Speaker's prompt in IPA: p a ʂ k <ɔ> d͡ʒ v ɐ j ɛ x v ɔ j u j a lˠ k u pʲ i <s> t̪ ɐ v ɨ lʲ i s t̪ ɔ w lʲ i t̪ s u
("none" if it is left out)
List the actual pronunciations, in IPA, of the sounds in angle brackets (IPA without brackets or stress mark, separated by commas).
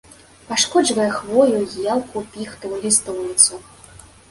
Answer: ɔ, x